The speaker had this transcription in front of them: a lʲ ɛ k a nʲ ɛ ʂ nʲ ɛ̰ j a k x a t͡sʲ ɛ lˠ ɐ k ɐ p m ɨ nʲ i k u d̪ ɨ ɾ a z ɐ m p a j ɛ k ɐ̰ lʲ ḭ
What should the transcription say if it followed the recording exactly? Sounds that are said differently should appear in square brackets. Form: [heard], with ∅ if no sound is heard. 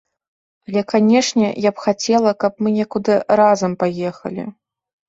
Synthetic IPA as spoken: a lʲ ɛ k a nʲ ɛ ʂ nʲ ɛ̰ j a [p] x a t͡sʲ ɛ lˠ ɐ k ɐ p m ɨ nʲ [ɛ] k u d̪ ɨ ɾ a z ɐ m p a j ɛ [x] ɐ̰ lʲ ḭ